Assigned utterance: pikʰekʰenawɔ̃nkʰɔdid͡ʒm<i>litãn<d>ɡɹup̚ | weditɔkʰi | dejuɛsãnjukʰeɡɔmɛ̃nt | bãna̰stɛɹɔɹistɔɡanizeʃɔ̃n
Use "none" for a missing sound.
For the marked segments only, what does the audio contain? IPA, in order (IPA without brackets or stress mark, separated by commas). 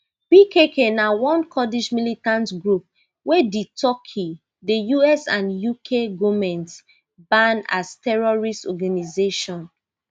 i, t